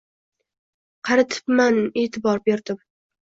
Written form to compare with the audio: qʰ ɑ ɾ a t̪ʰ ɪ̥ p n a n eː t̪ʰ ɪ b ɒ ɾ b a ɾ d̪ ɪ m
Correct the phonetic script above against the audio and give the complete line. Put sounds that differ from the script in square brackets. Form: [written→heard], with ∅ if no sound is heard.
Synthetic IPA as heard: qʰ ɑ ɾ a t̪ʰ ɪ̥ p [n→m] a n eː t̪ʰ ɪ b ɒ ɾ b [a→e] ɾ d̪ ɪ m